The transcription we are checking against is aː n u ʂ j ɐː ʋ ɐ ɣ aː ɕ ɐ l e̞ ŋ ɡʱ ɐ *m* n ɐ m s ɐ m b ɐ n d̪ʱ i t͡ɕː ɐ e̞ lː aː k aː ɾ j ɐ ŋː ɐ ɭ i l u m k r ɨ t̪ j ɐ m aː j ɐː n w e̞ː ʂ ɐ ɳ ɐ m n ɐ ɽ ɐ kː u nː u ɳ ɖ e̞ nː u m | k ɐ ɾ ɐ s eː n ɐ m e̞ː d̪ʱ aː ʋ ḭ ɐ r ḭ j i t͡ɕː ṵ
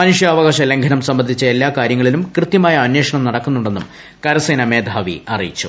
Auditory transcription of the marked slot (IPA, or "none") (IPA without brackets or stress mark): none